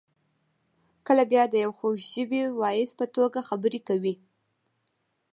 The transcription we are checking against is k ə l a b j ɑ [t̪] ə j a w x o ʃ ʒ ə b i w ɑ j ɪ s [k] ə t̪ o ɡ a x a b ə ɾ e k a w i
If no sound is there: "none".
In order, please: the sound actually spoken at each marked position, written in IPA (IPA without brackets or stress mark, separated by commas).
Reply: d̪, p